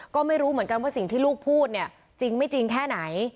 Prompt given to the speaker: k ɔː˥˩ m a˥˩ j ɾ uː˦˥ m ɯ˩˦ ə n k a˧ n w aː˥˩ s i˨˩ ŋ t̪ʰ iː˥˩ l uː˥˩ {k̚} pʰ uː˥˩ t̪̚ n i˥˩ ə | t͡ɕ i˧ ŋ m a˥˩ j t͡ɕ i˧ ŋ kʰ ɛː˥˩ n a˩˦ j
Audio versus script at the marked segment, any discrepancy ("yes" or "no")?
no